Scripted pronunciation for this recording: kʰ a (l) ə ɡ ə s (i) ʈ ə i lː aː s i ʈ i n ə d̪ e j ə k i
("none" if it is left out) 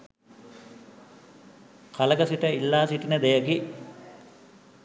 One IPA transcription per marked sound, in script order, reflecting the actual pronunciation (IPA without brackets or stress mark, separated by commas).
l, i